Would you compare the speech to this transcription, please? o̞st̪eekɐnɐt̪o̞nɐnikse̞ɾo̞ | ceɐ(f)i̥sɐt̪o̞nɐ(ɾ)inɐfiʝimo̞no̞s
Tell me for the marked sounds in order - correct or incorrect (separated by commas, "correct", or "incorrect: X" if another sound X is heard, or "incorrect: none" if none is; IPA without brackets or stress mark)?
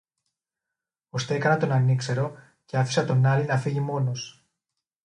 correct, incorrect: l